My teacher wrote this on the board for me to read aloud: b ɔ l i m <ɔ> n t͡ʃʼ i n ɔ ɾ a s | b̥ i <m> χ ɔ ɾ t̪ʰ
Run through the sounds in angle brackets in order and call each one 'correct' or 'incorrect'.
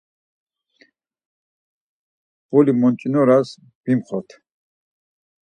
correct, correct

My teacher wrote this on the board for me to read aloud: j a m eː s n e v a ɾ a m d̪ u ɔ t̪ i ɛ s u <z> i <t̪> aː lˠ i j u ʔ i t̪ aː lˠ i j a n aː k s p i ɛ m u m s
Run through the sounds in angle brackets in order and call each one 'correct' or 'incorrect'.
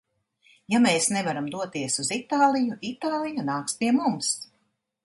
correct, correct

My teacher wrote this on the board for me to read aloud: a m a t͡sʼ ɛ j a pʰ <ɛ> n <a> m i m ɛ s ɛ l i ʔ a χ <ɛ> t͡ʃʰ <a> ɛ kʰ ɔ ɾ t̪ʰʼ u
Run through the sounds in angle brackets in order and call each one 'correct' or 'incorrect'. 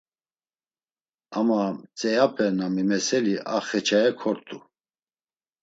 correct, correct, correct, correct

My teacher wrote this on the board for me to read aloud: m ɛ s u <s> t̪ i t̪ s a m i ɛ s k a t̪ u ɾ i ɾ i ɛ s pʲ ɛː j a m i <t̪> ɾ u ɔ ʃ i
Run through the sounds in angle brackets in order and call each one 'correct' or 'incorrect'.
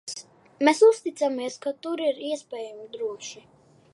correct, incorrect

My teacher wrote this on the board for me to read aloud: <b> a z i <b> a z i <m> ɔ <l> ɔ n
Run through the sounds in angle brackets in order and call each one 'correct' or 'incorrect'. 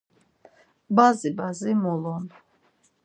correct, correct, correct, correct

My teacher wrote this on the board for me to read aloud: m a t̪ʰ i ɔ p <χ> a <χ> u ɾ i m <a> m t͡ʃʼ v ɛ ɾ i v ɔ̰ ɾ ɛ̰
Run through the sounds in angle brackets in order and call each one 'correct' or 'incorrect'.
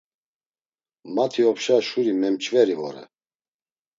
incorrect, incorrect, incorrect

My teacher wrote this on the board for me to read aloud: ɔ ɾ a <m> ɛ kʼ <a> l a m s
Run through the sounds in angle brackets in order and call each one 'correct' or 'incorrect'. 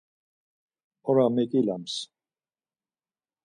correct, incorrect

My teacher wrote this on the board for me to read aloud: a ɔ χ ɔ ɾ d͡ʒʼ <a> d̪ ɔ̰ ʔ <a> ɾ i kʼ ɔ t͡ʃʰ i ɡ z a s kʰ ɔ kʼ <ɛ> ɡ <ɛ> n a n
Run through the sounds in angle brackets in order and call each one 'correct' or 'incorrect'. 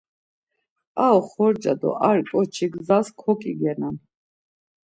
correct, correct, incorrect, correct

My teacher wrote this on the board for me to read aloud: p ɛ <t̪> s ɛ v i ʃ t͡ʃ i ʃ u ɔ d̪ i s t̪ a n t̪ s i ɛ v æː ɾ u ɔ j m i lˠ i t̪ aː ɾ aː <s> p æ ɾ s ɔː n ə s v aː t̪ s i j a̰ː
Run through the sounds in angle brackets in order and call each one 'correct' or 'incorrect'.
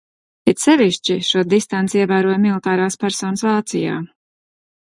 correct, correct

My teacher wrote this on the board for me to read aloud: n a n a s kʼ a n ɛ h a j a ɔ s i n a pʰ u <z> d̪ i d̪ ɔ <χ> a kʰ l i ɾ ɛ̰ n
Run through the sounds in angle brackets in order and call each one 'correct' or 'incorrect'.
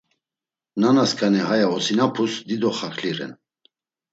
incorrect, correct

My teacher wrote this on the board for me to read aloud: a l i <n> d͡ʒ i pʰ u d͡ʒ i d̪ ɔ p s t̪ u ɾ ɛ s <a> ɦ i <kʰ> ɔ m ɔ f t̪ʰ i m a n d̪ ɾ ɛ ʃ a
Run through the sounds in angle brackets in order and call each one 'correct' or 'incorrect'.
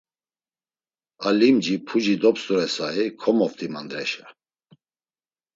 incorrect, correct, correct

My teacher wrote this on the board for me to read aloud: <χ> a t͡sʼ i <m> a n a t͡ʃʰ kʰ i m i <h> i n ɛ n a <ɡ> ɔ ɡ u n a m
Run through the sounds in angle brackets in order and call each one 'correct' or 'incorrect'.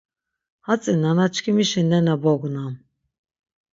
incorrect, incorrect, incorrect, incorrect

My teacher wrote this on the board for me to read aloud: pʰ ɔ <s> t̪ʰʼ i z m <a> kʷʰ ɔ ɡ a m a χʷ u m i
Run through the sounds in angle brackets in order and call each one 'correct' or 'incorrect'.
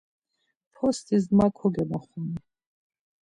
correct, correct

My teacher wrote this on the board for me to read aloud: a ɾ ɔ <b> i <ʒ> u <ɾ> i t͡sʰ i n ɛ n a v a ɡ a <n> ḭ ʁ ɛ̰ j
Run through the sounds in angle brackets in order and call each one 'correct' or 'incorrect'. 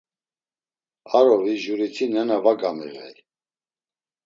incorrect, correct, correct, incorrect

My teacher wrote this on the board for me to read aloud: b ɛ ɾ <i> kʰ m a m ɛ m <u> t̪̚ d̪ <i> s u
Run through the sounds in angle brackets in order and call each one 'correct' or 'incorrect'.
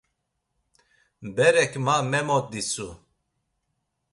incorrect, incorrect, correct

